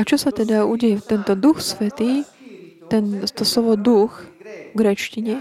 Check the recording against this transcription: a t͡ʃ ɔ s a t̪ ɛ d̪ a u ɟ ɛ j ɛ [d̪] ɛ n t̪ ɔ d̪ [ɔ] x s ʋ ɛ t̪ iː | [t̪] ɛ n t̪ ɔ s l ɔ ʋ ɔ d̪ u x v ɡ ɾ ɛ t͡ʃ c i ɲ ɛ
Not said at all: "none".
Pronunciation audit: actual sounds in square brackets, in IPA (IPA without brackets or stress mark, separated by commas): t̪, u, t̪